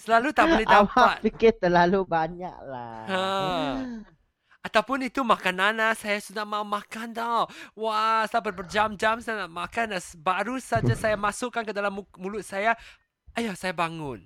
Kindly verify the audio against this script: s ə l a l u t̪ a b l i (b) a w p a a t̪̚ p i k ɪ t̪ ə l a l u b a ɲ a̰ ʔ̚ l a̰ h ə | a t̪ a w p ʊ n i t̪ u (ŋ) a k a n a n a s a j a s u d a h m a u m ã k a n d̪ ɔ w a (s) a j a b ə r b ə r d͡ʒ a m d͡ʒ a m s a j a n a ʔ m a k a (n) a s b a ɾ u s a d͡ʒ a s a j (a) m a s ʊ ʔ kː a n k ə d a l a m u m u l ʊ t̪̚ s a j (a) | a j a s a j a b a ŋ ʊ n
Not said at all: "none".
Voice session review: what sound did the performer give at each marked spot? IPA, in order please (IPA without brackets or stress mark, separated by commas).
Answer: d, m, s, n, a, a